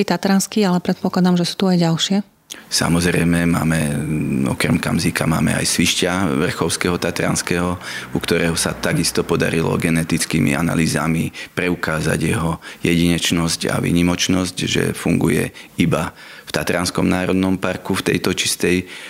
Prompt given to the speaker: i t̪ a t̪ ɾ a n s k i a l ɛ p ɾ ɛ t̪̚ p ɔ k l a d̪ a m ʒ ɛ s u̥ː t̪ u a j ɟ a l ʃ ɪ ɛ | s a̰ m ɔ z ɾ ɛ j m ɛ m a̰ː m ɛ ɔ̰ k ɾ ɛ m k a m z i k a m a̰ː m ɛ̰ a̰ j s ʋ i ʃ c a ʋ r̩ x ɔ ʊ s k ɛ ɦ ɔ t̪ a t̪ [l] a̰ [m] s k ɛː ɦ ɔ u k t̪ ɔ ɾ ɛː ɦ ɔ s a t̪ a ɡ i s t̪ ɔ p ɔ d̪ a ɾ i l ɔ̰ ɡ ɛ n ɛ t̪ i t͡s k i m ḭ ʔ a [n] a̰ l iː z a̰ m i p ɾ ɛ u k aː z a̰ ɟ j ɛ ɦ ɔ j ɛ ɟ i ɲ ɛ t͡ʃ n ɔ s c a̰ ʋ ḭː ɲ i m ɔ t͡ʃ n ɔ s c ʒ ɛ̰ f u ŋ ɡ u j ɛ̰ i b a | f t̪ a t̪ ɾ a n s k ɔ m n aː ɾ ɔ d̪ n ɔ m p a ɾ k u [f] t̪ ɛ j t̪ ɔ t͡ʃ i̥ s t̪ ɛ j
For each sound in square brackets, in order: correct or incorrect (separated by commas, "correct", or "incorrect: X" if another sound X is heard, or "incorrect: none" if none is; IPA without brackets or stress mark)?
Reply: incorrect: ɾ, incorrect: n, correct, correct